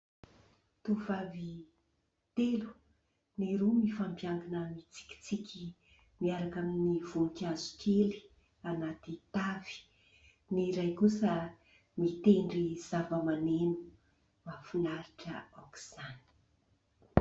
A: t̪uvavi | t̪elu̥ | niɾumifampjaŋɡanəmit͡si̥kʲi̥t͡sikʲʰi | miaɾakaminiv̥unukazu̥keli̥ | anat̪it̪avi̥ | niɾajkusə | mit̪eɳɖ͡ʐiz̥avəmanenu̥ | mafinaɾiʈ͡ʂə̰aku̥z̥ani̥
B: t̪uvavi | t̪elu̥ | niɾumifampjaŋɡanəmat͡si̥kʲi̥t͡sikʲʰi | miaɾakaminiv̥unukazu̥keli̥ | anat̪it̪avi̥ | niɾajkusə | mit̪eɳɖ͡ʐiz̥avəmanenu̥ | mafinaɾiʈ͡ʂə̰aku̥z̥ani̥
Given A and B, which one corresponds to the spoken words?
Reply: A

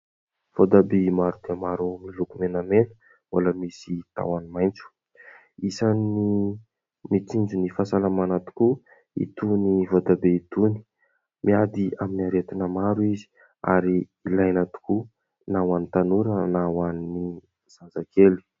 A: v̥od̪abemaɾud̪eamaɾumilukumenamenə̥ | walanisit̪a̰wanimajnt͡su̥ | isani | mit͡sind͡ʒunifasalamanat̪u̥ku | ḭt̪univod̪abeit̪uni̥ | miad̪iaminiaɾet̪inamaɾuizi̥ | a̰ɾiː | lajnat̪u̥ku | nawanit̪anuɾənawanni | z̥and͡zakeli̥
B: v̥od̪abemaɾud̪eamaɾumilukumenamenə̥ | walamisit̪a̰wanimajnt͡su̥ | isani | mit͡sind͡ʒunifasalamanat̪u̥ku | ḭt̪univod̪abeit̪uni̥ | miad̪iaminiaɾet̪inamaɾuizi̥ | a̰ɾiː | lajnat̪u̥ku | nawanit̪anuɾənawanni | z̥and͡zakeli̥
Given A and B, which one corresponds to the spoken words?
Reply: B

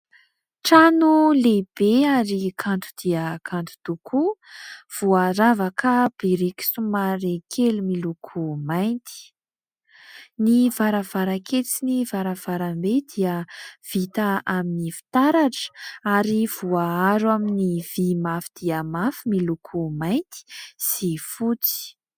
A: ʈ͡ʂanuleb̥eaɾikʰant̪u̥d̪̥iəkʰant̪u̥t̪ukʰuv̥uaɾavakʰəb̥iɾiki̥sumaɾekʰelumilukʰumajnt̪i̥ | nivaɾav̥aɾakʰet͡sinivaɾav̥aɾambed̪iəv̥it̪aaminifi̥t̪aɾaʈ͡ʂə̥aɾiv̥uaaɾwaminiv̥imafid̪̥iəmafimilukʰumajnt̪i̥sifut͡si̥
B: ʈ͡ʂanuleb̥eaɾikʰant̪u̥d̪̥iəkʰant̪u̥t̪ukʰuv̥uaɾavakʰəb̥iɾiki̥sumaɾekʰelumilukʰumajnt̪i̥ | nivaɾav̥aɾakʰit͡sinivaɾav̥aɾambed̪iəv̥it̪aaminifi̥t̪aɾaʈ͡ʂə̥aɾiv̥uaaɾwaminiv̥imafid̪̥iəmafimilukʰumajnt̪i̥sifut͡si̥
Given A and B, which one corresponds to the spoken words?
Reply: A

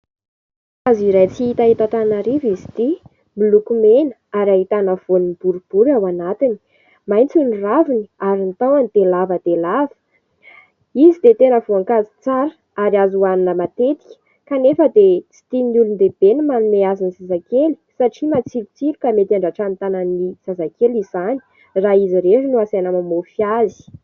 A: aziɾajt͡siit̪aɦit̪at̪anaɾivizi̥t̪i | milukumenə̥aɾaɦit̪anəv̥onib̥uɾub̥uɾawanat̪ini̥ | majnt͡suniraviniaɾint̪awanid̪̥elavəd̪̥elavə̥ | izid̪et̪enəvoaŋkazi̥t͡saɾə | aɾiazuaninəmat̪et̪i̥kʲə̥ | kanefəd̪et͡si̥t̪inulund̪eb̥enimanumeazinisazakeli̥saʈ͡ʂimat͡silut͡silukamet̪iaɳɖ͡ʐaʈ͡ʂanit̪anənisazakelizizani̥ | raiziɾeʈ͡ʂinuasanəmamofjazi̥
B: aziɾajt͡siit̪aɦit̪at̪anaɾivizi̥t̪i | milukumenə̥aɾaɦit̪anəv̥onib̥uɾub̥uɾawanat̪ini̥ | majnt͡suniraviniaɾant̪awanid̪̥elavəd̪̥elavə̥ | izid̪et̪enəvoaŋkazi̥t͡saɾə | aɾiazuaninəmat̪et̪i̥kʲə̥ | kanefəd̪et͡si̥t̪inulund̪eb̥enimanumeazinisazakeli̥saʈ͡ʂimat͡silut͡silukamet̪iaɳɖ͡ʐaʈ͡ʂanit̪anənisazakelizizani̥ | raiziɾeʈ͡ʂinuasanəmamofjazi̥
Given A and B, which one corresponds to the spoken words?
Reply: A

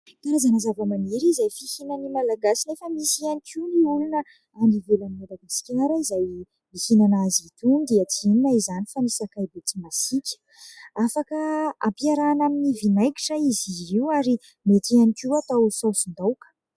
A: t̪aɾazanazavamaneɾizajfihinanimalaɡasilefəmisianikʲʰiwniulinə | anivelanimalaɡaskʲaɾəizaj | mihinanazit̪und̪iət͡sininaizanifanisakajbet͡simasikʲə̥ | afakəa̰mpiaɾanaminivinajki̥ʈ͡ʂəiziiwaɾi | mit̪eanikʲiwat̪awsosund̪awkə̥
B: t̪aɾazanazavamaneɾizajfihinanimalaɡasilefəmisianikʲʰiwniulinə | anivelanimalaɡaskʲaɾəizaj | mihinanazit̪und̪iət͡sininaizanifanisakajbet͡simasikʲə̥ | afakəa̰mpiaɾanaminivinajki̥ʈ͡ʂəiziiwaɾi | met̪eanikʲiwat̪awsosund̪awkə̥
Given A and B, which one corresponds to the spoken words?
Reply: B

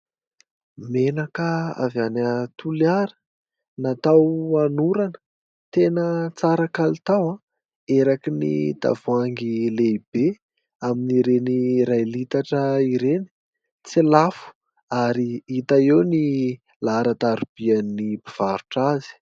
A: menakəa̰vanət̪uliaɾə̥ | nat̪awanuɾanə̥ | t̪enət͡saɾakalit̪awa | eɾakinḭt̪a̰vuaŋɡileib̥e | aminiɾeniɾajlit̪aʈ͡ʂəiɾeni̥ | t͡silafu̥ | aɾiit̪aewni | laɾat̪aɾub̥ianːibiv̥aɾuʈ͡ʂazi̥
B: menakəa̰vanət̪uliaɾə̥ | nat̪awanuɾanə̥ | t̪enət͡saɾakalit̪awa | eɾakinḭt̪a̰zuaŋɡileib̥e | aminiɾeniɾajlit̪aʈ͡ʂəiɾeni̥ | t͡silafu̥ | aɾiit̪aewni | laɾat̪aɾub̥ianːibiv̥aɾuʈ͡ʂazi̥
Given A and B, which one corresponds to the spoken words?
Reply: A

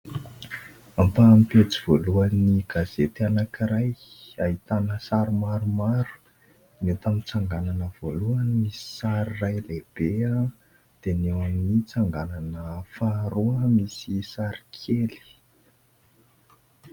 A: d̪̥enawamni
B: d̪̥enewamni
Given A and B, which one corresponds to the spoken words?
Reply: B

